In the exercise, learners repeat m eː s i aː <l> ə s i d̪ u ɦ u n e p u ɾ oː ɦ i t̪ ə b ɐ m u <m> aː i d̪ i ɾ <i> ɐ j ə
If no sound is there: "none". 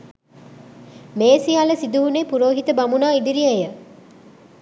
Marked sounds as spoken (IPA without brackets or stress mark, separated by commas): l, n, i